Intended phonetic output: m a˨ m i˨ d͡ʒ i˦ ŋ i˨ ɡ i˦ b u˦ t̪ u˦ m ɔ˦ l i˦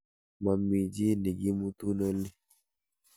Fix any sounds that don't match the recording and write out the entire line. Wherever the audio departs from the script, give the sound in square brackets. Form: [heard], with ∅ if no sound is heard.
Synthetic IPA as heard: m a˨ m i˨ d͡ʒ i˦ [n] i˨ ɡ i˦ [m] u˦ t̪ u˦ [n] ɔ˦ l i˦